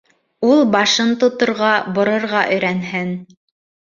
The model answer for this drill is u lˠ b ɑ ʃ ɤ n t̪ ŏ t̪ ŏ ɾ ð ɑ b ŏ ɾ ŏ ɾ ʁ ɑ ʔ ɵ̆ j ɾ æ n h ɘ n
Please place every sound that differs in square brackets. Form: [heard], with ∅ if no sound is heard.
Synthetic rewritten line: u lˠ b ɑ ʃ ɤ n t̪ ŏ t̪ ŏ ɾ [ʁ] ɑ b ŏ ɾ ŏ ɾ ʁ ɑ ʔ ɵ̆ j ɾ æ n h ɘ n